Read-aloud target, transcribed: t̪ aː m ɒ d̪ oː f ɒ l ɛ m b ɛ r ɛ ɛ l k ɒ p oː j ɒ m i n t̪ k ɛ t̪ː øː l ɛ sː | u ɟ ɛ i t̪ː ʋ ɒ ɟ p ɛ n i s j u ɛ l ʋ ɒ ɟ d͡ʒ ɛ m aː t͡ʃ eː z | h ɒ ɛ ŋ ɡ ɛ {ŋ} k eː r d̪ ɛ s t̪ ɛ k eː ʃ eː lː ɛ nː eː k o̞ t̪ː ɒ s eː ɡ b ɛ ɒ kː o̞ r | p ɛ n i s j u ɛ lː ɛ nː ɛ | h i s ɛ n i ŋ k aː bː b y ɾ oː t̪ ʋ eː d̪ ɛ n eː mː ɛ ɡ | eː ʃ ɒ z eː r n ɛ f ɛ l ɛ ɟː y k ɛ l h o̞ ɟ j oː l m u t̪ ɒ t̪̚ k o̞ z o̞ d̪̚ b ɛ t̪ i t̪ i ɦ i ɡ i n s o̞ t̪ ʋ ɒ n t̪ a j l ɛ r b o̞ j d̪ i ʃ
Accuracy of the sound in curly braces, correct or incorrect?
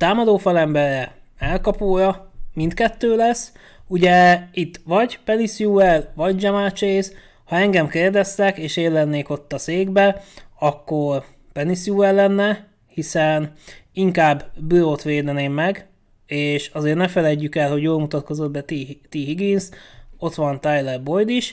incorrect